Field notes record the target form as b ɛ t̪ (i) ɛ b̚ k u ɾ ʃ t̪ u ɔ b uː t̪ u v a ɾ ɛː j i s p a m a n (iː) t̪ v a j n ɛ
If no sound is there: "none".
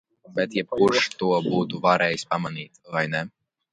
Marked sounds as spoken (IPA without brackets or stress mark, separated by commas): j, iː